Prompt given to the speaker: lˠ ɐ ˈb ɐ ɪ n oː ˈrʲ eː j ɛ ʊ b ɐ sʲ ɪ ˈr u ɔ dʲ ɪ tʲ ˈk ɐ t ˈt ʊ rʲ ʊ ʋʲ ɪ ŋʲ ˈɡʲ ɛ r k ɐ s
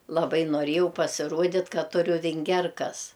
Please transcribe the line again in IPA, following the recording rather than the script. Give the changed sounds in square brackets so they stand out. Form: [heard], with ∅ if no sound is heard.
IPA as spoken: lˠ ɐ ˈb ɐ ɪ n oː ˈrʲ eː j ɛ ʊ [p] ɐ sʲ ɪ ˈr u ɔ dʲ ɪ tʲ ˈk ɐ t ˈt ʊ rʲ ʊ ʋʲ ɪ ŋʲ ˈɡʲ ɛ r k ɐ s